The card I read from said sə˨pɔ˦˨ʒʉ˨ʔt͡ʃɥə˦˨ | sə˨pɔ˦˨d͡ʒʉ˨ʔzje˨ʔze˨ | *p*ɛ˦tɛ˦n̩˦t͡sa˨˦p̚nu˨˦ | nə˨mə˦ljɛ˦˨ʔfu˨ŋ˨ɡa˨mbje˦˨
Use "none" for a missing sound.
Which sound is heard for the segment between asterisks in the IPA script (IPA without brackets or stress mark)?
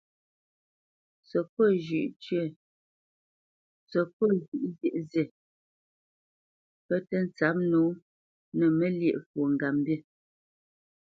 p